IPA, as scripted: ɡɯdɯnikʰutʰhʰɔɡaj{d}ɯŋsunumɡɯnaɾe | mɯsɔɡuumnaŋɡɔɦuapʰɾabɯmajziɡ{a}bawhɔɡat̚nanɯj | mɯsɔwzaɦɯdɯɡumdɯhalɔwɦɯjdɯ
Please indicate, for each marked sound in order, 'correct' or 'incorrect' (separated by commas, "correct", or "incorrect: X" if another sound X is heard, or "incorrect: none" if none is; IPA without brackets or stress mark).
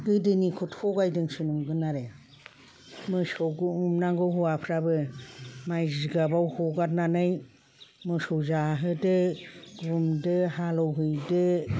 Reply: correct, correct